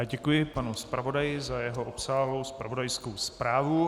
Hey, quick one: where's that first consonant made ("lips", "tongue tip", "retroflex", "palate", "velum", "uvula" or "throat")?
palate